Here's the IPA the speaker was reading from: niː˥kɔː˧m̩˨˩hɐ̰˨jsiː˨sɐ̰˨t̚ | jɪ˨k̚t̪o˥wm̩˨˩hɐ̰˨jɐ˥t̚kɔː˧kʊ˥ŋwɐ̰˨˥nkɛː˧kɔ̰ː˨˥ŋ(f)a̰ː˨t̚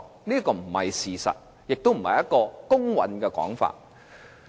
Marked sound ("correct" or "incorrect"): correct